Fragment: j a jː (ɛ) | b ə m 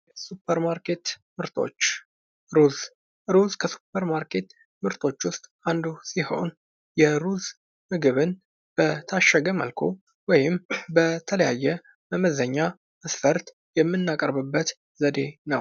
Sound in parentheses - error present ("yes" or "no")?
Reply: no